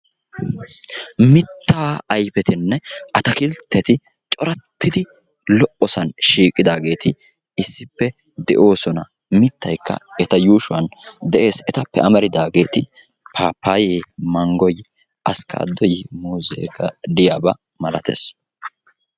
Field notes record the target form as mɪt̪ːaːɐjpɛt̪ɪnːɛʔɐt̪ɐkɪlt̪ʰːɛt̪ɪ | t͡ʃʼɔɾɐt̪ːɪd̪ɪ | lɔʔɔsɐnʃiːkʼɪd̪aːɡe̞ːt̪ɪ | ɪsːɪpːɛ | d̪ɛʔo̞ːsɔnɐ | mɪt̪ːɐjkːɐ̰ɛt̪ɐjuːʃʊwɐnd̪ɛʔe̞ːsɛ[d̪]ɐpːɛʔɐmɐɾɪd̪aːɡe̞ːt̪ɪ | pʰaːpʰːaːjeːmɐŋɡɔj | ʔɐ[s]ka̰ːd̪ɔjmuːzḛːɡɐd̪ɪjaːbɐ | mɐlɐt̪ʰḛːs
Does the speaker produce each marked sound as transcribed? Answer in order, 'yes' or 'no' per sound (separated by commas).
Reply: no, yes